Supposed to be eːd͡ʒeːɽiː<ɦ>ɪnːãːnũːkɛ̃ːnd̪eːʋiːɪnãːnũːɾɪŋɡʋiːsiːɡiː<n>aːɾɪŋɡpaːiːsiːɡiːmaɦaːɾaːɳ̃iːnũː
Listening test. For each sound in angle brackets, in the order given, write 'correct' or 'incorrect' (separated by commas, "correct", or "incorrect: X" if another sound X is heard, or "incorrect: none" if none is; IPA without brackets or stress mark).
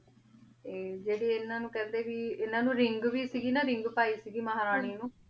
incorrect: none, correct